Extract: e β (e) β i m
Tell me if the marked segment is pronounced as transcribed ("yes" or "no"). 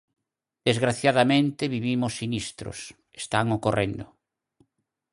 no